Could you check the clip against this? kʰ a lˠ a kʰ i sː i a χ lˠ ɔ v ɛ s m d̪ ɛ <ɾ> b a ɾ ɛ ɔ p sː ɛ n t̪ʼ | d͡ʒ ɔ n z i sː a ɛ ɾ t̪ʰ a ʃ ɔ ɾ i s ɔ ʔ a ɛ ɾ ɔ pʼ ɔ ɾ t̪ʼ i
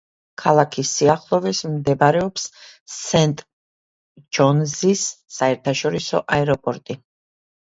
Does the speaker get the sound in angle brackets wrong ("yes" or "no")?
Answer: yes